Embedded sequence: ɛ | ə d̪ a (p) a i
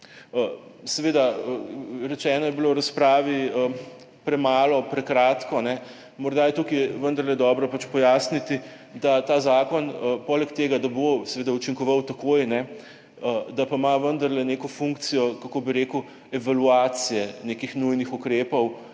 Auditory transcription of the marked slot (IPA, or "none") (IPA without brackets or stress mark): p